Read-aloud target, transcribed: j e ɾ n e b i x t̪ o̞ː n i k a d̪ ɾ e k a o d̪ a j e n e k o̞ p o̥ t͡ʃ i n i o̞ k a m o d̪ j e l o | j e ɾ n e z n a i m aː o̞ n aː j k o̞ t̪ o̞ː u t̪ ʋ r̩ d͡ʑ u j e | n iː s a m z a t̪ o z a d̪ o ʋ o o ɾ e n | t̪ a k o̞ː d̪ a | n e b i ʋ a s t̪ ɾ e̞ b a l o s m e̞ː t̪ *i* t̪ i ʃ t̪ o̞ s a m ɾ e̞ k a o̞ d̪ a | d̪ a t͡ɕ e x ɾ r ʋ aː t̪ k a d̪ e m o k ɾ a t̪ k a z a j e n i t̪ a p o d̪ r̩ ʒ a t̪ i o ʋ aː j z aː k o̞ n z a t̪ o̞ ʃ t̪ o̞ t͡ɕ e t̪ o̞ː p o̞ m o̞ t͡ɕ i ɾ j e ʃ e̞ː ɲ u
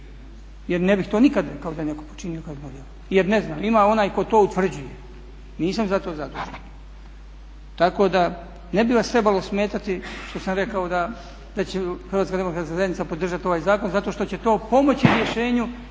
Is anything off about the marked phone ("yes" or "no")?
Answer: yes